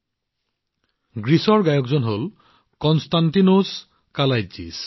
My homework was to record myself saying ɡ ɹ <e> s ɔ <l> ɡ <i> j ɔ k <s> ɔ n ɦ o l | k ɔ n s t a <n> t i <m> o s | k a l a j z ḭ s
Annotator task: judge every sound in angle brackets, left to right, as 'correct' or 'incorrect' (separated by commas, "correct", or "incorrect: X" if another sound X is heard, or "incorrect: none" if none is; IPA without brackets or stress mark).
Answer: incorrect: i, incorrect: ɹ, incorrect: a, incorrect: z, correct, incorrect: n